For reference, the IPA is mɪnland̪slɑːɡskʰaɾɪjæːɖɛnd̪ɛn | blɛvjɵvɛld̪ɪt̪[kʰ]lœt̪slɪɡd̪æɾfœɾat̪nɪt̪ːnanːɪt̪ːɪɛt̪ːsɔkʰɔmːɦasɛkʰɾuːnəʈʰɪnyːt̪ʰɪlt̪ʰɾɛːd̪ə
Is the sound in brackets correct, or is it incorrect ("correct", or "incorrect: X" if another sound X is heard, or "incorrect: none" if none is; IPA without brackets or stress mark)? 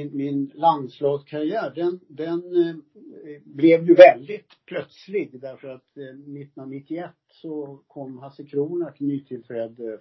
incorrect: pʰ